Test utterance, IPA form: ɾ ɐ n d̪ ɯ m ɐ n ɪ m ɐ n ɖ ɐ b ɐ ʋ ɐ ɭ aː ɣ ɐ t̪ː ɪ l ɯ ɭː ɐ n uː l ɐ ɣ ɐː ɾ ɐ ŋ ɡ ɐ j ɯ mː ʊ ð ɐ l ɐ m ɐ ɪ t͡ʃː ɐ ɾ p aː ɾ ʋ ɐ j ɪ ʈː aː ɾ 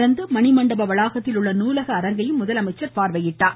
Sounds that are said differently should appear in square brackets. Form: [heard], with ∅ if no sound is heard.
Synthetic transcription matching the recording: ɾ ɐ n d̪ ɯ m ɐ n ɪ m ɐ [ɳ] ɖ ɐ b ɐ ʋ ɐ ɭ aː ɣ ɐ t̪ː ɪ l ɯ ɭː ɐ n uː l ɐ ɣ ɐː ɾ ɐ ŋ ɡ ɐ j ɯ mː ʊ ð ɐ l ɐ m ɐ ɪ t͡ʃː ɐ ɾ p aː ɾ ʋ ɐ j ɪ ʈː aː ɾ